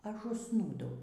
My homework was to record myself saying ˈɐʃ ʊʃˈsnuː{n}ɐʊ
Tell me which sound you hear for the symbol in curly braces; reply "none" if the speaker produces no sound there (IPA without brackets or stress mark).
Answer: d